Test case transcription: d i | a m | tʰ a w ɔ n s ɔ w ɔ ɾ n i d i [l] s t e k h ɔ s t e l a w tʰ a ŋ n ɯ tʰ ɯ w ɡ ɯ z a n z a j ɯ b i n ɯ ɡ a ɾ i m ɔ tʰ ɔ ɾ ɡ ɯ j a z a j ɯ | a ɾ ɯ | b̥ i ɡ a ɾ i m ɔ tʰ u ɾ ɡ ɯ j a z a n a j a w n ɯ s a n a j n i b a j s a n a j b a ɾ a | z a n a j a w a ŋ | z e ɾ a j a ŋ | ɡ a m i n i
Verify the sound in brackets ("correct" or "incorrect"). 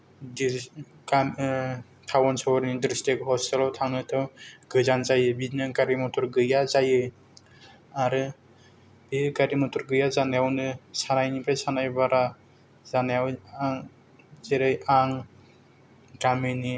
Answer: incorrect